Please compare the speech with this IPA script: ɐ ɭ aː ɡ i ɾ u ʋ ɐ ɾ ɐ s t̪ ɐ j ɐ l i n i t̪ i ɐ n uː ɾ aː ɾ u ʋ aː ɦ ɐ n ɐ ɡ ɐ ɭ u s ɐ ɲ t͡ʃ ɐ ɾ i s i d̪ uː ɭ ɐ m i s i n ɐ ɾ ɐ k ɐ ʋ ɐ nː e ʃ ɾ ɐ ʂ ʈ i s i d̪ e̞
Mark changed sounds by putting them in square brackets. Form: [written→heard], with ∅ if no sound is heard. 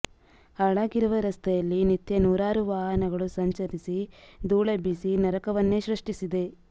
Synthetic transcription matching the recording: ɐ ɭ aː ɡ i ɾ u ʋ ɐ ɾ ɐ s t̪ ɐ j ɐ [l→lː] i n i t̪ [i→j] ɐ n uː ɾ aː ɾ u ʋ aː ɦ ɐ n ɐ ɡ ɐ ɭ u s ɐ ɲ t͡ʃ ɐ ɾ i s i d̪ uː ɭ ɐ [m→b] i s i n ɐ ɾ ɐ k ɐ ʋ ɐ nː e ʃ ɾ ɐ ʂ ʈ i s i d̪ e̞

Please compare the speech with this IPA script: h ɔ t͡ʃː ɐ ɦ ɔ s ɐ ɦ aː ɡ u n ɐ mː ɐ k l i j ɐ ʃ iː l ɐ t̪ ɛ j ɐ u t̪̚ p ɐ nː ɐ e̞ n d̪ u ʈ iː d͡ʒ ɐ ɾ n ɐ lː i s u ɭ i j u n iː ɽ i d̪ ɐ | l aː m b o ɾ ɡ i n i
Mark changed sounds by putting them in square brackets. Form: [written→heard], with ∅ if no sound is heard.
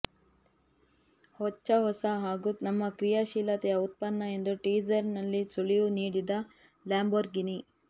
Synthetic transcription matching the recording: h ɔ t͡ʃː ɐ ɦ ɔ s ɐ ɦ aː ɡ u n ɐ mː ɐ k [l→ɾ] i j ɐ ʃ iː l ɐ t̪ ɛ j ɐ u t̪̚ p ɐ nː ɐ e̞ n d̪ u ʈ iː d͡ʒ ɐ ɾ n ɐ lː i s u ɭ i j u n iː ɽ i d̪ ɐ | l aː m b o ɾ ɡ i n i

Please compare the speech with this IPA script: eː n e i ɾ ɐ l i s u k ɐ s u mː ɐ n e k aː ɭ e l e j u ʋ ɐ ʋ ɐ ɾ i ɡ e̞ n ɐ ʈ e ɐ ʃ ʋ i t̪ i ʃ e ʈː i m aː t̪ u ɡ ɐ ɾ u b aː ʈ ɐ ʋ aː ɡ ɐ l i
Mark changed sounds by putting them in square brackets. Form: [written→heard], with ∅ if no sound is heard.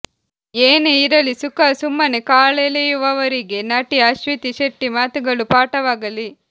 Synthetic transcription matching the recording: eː n e i ɾ ɐ l i s u k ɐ s u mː ɐ n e k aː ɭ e l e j u ʋ ɐ ʋ ɐ ɾ i ɡ e̞ n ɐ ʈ [e→i] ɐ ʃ ʋ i t̪ i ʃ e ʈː i m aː t̪ u ɡ ɐ [ɾ→ɭ] u [b→p] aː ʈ ɐ ʋ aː ɡ ɐ l i

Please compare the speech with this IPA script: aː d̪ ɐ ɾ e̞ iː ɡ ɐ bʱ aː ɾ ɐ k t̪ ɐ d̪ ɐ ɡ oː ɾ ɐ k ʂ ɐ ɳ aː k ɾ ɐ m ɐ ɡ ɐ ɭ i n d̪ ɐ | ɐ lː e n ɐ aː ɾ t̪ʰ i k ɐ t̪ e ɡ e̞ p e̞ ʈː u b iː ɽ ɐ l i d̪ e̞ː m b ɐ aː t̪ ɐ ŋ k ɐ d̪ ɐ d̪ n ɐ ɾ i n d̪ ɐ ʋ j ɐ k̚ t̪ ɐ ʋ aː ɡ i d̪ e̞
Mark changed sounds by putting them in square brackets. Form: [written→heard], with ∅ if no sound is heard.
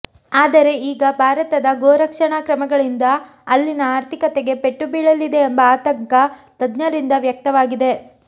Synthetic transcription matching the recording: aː d̪ ɐ ɾ e̞ iː ɡ ɐ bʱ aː ɾ ɐ [k→∅] t̪ ɐ d̪ ɐ ɡ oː ɾ ɐ k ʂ ɐ ɳ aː k ɾ ɐ m ɐ ɡ ɐ ɭ i n d̪ ɐ | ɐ lː [e→i] n ɐ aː ɾ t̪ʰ i k ɐ t̪ e ɡ e̞ p e̞ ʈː u b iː [ɽ→ɭ] ɐ l i d̪ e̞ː m b ɐ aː t̪ ɐ ŋ k ɐ [d̪→t̪] ɐ d̪ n ɐ ɾ i n d̪ ɐ ʋ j ɐ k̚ t̪ ɐ ʋ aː ɡ i d̪ e̞

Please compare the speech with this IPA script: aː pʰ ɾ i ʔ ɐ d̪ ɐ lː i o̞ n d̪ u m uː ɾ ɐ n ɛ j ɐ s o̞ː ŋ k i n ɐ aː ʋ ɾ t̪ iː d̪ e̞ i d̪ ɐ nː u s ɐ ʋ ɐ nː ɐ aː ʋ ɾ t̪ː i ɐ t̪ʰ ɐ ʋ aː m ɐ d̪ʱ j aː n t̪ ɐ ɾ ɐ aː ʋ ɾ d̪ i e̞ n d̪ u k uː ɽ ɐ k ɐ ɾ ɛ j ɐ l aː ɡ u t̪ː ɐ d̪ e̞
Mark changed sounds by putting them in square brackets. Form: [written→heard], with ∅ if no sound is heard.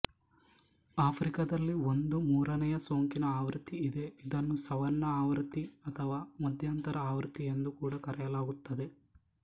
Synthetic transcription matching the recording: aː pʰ ɾ i [ʔ→k] ɐ d̪ ɐ lː i o̞ n d̪ u m uː ɾ ɐ n ɛ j ɐ s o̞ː ŋ k i n ɐ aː ʋ ɾ t̪ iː d̪ e̞ i d̪ ɐ nː u s ɐ ʋ ɐ nː ɐ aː ʋ ɾ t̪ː i ɐ t̪ʰ ɐ ʋ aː m ɐ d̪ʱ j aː n t̪ ɐ ɾ ɐ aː ʋ ɾ [d̪→t̪] i e̞ n d̪ u k uː ɽ ɐ k ɐ ɾ ɛ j ɐ l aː ɡ u t̪ː ɐ d̪ e̞

